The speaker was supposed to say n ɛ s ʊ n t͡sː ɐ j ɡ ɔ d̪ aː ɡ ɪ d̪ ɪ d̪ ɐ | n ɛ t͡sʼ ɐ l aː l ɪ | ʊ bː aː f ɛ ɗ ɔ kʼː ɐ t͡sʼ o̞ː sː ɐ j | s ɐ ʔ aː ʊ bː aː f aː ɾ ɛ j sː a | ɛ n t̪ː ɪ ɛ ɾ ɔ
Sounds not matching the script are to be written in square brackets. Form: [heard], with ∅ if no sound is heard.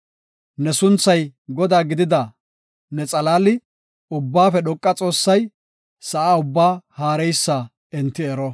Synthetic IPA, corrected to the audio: n ɛ s ʊ n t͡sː ɐ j ɡ ɔ d̪ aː ɡ ɪ d̪ ɪ d̪ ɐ | n ɛ t͡sʼ ɐ l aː l ɪ | ʊ bː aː f ɛ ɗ ɔ kʼː ɐ t͡sʼ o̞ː sː ɐ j | s ɐ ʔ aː ʊ bː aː [h] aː ɾ ɛ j sː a | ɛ n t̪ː ɪ ɛ ɾ ɔ